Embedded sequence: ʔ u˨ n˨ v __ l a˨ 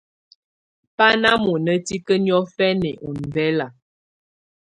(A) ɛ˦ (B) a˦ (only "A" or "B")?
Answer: A